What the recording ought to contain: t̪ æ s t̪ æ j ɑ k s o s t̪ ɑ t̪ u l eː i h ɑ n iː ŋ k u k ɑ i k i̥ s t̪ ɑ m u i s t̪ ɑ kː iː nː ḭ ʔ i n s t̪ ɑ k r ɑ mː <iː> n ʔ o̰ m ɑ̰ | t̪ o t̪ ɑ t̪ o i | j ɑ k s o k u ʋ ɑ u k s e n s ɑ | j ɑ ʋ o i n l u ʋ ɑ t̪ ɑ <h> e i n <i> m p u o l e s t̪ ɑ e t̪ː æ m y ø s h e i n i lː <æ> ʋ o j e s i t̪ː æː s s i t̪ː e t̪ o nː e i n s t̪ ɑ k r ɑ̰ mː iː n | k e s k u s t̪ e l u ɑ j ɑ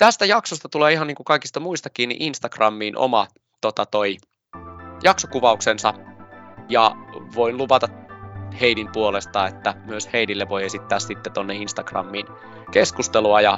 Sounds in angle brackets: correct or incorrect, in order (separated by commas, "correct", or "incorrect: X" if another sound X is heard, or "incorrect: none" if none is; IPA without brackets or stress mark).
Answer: correct, correct, correct, incorrect: e